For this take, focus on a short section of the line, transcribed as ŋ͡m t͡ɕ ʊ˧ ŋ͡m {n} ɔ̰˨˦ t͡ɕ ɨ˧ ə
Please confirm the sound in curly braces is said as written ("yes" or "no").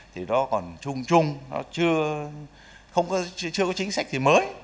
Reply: yes